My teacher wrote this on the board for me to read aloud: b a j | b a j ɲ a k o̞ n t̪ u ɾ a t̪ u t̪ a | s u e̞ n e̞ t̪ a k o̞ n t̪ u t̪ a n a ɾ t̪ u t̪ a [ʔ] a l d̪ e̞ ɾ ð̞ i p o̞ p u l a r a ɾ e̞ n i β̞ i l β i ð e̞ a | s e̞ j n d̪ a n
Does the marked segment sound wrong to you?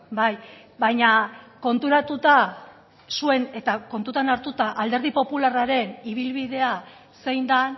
no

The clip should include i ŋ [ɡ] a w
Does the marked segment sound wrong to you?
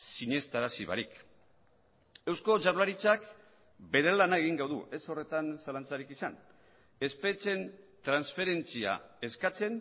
no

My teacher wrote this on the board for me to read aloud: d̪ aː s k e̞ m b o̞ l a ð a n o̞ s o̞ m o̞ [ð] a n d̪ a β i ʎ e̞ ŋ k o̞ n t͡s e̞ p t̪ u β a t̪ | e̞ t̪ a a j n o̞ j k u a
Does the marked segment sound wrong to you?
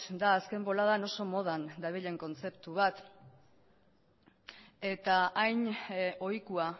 no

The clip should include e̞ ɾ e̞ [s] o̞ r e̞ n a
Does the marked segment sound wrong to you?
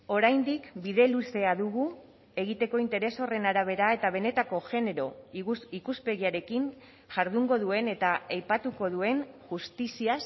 no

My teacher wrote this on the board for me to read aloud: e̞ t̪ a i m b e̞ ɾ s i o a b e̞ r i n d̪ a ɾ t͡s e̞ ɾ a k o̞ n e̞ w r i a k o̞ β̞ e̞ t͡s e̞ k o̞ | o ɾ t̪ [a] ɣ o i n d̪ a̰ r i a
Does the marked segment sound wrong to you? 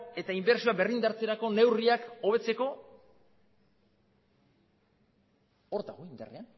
no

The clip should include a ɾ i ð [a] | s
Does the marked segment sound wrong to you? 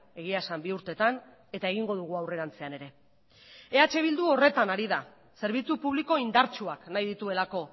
no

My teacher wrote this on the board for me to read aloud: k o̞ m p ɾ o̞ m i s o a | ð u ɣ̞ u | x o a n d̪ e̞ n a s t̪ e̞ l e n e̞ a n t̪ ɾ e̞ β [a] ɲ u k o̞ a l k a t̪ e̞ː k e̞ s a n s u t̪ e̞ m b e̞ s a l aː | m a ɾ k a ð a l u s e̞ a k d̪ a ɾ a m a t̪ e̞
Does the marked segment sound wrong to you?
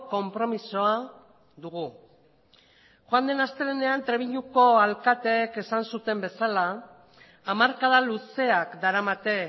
yes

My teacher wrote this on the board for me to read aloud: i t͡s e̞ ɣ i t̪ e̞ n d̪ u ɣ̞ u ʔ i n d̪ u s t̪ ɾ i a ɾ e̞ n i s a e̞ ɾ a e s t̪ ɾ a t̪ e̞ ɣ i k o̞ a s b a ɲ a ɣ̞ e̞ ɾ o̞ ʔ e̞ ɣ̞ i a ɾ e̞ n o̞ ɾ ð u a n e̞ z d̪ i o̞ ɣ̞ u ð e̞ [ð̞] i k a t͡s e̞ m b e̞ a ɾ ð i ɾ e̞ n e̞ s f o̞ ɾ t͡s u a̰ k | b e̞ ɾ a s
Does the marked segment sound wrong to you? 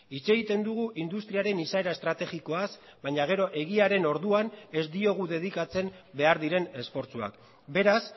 no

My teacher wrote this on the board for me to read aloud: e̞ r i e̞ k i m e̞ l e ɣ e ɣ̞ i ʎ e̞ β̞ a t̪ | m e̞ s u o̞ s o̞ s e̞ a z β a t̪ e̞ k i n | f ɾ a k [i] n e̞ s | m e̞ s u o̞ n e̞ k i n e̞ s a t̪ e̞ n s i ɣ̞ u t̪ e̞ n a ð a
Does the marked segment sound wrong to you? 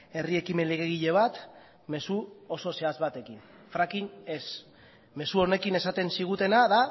no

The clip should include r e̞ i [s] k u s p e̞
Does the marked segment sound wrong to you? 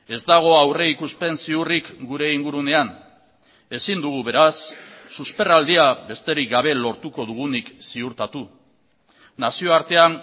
yes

